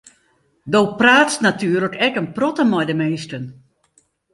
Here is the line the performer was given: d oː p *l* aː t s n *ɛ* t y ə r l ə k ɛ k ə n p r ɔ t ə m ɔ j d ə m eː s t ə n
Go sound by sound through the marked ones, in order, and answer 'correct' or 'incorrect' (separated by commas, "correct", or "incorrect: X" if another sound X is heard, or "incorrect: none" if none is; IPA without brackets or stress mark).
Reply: incorrect: r, incorrect: a